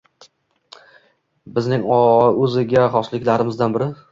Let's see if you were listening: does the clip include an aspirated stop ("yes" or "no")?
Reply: no